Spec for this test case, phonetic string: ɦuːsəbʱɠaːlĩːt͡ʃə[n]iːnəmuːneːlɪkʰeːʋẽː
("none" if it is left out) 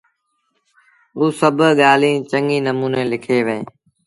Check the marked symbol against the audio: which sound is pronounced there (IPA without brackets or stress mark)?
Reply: ŋ